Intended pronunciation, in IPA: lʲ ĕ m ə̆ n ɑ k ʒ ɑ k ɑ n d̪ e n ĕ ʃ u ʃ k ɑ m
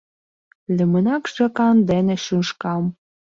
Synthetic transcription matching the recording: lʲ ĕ m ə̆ n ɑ k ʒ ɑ k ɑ n d̪ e n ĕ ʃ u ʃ k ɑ m